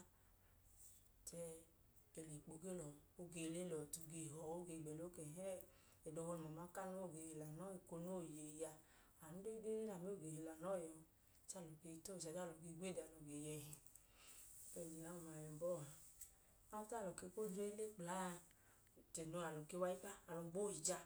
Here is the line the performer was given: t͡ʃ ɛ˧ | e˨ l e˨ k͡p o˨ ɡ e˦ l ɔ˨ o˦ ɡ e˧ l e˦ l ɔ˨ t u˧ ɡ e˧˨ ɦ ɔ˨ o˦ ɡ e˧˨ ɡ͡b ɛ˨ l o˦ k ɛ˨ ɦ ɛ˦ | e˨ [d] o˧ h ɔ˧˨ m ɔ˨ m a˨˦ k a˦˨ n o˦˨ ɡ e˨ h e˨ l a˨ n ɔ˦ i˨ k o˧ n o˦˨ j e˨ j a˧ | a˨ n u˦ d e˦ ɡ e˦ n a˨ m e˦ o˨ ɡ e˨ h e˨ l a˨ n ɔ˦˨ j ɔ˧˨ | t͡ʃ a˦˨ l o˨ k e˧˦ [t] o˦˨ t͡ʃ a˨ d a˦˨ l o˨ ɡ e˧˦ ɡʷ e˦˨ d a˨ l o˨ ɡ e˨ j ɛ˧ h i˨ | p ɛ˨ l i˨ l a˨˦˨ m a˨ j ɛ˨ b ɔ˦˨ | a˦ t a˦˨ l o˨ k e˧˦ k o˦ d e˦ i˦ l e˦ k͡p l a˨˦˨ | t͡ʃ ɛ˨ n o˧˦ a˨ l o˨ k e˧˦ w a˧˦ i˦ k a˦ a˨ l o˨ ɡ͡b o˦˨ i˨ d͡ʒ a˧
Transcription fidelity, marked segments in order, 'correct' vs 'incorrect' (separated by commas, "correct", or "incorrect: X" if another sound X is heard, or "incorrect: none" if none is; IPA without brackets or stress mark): correct, correct